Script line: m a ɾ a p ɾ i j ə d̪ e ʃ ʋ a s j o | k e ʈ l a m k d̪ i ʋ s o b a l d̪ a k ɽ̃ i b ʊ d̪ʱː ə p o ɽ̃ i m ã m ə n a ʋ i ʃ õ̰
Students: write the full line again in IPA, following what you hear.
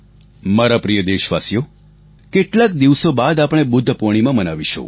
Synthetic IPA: m a ɾ a p ɾ i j ə d̪ e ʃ ʋ a s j o | k e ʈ l a k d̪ i ʋ s o b a d̪ a p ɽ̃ e b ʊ d̪ʱː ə p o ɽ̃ i m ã m ə n a ʋ i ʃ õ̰